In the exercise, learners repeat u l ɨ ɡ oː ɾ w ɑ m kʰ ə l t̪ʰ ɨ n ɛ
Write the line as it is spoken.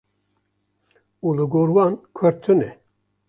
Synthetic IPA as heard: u l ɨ ɡ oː ɾ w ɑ n kʰ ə ɾ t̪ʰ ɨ n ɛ